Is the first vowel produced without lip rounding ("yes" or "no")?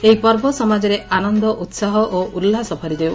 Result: yes